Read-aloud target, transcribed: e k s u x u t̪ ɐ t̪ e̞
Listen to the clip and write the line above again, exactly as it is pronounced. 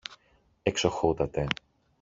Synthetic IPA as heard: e k s o x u t̪ ɐ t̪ e̞